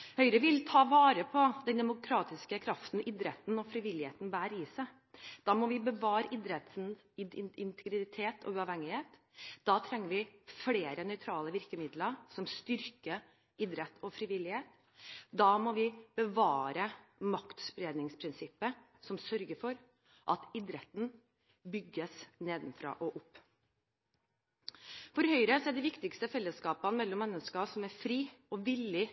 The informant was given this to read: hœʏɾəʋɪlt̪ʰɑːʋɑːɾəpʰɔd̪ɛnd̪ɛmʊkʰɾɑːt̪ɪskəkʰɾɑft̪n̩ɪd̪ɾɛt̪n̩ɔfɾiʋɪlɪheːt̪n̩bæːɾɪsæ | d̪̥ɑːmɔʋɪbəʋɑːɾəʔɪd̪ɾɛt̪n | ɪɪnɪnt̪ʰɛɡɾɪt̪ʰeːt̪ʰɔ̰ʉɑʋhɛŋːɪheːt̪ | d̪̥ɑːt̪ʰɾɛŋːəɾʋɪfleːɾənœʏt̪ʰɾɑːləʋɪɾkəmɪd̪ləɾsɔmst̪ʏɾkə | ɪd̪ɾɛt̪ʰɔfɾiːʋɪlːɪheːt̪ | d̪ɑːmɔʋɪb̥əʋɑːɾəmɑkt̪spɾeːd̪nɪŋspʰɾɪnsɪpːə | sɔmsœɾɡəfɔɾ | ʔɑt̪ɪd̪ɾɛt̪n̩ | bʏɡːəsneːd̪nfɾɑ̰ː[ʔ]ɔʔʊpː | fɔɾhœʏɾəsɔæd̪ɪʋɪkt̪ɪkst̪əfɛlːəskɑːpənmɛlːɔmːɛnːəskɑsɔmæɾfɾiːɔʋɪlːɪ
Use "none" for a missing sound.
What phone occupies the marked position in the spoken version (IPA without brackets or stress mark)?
ʔ